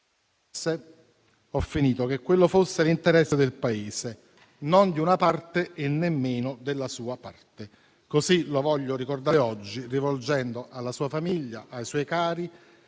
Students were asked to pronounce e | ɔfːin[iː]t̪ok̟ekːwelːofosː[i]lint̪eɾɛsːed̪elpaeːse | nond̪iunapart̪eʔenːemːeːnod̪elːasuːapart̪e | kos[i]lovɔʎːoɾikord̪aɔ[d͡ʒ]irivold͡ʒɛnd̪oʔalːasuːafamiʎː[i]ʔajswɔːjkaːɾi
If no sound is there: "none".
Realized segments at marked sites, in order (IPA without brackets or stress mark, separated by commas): iː, e, i, d͡ʒː, a